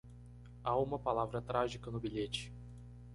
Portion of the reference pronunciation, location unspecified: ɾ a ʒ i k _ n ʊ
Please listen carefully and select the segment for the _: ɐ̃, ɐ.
ɐ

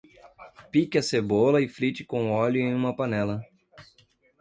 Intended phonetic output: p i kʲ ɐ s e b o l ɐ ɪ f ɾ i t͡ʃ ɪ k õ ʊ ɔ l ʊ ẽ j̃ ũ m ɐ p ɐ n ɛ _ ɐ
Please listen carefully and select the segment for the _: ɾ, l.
l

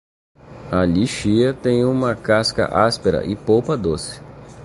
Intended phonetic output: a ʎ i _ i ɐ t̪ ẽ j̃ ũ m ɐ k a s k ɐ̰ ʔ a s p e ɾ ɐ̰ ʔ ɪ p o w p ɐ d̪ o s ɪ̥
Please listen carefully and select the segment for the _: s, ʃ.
ʃ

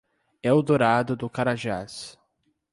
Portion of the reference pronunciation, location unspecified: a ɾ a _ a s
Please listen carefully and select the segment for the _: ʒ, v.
ʒ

